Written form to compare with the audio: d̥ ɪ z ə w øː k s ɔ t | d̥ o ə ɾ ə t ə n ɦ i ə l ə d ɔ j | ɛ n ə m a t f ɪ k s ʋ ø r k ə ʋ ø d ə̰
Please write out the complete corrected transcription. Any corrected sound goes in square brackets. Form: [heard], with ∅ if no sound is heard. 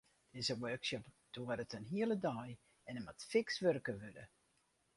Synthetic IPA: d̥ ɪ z ə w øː k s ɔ [p] | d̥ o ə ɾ ə t ə n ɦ i ə l ə d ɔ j | ɛ n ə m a t f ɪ k s ʋ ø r k ə ʋ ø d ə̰